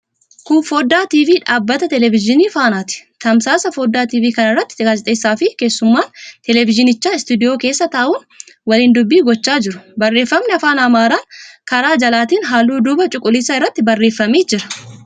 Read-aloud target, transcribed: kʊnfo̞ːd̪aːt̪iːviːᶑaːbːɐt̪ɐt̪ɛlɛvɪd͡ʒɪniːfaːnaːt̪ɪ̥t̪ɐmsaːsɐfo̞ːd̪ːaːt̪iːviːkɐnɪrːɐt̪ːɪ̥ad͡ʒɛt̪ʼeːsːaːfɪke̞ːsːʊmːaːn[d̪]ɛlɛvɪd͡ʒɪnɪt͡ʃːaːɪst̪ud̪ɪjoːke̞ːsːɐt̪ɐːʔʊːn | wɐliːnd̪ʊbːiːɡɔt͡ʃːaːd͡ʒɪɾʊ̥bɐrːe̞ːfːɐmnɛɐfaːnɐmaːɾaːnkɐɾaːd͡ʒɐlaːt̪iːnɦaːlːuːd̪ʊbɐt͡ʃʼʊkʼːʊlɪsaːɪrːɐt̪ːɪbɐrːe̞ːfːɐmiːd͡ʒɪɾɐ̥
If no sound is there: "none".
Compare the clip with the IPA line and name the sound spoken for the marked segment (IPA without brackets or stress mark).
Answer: t̪